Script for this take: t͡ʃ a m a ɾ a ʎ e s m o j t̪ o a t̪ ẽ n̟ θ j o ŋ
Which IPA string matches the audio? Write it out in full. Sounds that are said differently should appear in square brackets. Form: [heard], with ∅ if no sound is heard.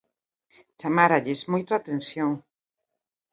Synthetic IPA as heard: t͡ʃ a m a ɾ a ʎ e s m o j t̪ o a t̪ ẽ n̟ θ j o ŋ